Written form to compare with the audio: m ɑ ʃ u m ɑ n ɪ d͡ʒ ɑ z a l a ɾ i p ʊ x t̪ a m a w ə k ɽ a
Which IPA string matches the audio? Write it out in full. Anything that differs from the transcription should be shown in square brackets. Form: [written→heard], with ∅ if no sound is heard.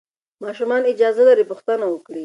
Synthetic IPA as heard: m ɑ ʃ u m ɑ n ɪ d͡ʒ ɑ z a l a ɾ i p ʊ x t̪ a [m→n] a w ə k ɽ [a→i]